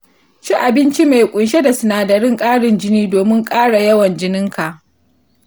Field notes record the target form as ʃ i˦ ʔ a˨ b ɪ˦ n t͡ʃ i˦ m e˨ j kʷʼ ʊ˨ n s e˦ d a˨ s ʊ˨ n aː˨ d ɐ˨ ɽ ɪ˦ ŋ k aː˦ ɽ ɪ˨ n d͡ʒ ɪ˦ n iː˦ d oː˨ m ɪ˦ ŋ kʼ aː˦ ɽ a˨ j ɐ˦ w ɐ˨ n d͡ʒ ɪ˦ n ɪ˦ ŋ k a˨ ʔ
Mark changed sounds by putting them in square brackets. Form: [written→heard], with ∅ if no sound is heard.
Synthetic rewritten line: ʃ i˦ ʔ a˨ b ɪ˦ n t͡ʃ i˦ m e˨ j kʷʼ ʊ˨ n [s→ʃ] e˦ d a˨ s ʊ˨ n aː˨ d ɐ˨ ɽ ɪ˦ ŋ [k→kʼ] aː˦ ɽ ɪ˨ n d͡ʒ ɪ˦ n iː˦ d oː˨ m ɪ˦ ŋ kʼ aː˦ ɽ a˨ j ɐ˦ w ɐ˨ n d͡ʒ ɪ˦ n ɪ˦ ŋ k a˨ ʔ